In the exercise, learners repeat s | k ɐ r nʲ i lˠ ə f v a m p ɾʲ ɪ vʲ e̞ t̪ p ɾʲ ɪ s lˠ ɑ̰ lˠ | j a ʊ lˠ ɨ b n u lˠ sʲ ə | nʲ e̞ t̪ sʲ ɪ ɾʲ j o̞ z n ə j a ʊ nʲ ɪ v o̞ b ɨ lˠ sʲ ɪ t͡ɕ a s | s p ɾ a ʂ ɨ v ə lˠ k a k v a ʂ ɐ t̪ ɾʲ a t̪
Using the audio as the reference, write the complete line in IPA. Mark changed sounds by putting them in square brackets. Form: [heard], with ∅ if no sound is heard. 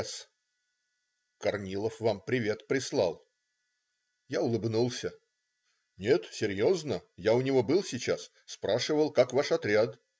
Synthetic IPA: s | k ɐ r nʲ i lˠ ə f v a m p ɾʲ ɪ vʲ e̞ t̪ p ɾʲ ɪ s lˠ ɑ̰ lˠ | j a ʊ lˠ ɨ b n u lˠ sʲ ə | nʲ e̞ t̪ sʲ ɪ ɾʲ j o̞ z n ə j a ʊ nʲ ɪ v o̞ b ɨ lˠ sʲ ɪ t͡ɕ a s | s p ɾ a ʂ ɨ v ə lˠ k a k v a ʂ ɐ t̪ ɾʲ a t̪